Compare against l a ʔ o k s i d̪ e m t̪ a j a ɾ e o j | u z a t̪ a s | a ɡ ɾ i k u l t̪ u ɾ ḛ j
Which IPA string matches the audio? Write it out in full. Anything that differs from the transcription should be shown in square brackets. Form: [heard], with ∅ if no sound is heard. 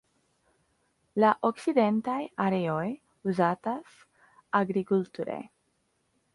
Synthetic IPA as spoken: l a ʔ o k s i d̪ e [n] t̪ a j a ɾ e o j | u z a t̪ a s | a ɡ ɾ i k u l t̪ u ɾ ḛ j